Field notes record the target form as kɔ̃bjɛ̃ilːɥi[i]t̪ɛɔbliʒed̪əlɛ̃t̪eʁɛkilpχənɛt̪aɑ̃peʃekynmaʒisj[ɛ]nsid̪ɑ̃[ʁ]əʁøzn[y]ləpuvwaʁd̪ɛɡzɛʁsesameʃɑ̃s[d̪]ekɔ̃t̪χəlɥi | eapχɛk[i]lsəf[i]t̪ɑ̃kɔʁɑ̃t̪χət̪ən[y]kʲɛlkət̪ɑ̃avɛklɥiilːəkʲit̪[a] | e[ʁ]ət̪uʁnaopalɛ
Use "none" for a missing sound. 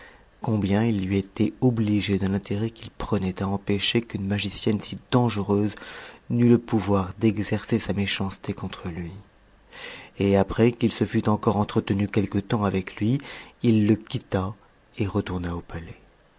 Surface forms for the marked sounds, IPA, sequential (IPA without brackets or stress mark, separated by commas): e, ɛ, ʒ, y, t̪, i, y, y, a, ʁ